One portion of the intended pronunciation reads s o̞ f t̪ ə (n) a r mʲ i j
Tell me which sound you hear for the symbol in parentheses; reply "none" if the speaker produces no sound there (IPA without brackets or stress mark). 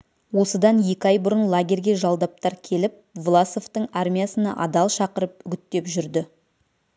ɴ